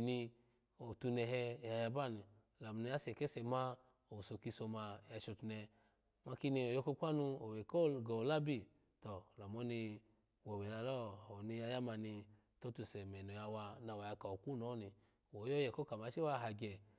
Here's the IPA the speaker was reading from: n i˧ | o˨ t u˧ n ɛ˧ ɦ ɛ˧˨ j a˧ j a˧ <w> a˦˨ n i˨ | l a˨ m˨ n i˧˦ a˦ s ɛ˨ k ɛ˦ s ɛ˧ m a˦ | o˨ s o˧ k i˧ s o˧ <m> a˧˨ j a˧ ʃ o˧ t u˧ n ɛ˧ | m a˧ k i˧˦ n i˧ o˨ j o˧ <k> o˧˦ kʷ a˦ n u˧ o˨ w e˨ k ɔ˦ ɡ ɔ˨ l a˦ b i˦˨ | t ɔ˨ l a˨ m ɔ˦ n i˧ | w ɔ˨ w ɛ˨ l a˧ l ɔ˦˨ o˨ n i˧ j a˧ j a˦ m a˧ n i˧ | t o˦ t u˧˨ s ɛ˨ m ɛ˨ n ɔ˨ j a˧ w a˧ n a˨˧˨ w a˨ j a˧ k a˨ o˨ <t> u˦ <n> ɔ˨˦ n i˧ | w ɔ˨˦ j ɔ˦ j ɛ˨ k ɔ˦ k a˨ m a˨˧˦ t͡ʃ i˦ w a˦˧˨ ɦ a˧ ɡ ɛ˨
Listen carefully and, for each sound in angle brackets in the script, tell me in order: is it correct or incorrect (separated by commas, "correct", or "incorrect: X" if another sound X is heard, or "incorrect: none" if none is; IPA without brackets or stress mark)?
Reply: incorrect: b, correct, correct, incorrect: k, correct